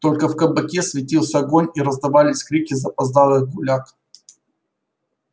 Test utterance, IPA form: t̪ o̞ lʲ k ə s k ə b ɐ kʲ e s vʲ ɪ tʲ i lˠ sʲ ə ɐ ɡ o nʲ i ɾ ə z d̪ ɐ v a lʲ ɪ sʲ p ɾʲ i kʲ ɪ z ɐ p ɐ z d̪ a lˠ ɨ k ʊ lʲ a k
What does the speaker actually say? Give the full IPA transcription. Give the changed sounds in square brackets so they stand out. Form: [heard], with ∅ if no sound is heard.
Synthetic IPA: t̪ o̞ lʲ k ə [f] k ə b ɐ kʲ e s vʲ ɪ tʲ i lˠ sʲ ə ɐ ɡ o nʲ i ɾ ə z d̪ ɐ v a lʲ ɪ sʲ [k] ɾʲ i kʲ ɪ z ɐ p ɐ z d̪ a lˠ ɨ [ɡ] ʊ lʲ a k

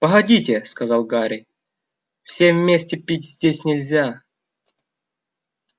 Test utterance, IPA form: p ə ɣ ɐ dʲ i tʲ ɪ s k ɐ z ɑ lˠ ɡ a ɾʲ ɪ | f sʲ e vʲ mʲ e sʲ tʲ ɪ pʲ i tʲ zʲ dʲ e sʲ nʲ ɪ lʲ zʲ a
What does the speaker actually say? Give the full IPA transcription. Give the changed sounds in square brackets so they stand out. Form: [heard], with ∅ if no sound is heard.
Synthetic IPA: p ə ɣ ɐ dʲ i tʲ ɪ s k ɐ z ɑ lˠ ɡ a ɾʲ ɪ | f sʲ e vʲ mʲ e sʲ tʲ ɪ pʲ i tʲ zʲ dʲ e sʲ nʲ ɪ lʲ zʲ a

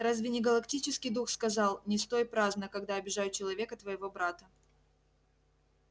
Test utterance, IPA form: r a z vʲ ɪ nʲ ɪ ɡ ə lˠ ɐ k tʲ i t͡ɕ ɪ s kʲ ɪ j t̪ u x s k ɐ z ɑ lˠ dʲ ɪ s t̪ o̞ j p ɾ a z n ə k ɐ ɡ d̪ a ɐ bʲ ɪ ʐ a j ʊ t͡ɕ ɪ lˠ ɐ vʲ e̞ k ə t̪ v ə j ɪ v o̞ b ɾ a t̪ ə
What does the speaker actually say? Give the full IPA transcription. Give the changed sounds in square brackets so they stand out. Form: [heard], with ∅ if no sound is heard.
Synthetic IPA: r a z vʲ ɪ nʲ ɪ ɡ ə lˠ ɐ k tʲ i t͡ɕ ɪ s kʲ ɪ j [d̪] u x s k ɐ z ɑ lˠ [nʲ] ɪ s t̪ o̞ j p ɾ a z n ə k ɐ ɡ d̪ a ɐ bʲ ɪ ʐ a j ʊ t͡ɕ ɪ lˠ ɐ vʲ e̞ k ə t̪ v ə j ɪ v o̞ b ɾ a t̪ ə

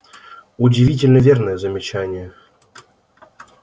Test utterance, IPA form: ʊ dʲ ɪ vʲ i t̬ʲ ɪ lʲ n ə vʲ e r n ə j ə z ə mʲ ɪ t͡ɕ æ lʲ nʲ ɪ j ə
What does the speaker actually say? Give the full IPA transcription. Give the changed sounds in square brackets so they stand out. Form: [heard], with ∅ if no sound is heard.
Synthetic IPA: ʊ dʲ ɪ vʲ i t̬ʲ ɪ lʲ n ə vʲ e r n ə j ə z ə mʲ ɪ t͡ɕ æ [∅] nʲ ɪ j ə

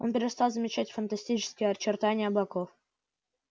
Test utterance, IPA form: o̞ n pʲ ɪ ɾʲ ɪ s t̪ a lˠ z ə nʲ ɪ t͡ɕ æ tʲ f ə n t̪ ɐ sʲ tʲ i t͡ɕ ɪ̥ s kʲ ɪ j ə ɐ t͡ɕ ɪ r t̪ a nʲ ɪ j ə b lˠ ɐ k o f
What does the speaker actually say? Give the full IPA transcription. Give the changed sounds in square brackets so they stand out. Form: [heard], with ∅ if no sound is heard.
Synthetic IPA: o̞ n pʲ ɪ ɾʲ ɪ s t̪ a lˠ z ə [mʲ] ɪ t͡ɕ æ tʲ f ə n t̪ ɐ sʲ tʲ i t͡ɕ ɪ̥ s kʲ ɪ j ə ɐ t͡ɕ ɪ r t̪ a nʲ ɪ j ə b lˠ ɐ k o f

